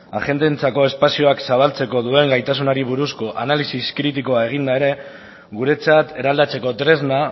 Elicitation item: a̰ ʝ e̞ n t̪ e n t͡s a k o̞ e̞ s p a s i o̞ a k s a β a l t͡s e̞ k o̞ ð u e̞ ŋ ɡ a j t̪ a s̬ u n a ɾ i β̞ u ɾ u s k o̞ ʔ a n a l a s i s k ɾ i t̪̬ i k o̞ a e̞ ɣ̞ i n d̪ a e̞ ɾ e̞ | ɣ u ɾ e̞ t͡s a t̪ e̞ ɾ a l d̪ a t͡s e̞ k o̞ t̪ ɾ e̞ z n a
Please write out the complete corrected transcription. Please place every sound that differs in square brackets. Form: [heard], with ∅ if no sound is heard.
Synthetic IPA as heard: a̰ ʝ e̞ n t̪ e n t͡s a k o̞ e̞ s p a s i o̞ a k s a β a l t͡s e̞ k o̞ ð u e̞ ŋ ɡ a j t̪ a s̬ u n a ɾ i β̞ u ɾ u s k o̞ ʔ a n a l [i] s i s k ɾ i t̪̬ i k o̞ a e̞ ɣ̞ i n d̪ a e̞ ɾ e̞ | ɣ u ɾ e̞ t͡s a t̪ e̞ ɾ a l d̪ a t͡s e̞ k o̞ t̪ ɾ e̞ z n a